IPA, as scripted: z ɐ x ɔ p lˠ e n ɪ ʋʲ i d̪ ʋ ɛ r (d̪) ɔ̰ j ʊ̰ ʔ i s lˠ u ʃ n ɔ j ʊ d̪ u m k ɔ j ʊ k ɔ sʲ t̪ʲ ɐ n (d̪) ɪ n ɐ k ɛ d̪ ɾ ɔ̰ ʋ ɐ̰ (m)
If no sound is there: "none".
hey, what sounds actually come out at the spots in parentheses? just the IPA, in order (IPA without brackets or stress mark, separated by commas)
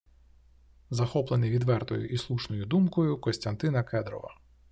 t̪, t̪, none